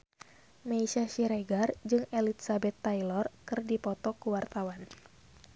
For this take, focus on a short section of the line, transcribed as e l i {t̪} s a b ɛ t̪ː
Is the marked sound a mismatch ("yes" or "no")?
no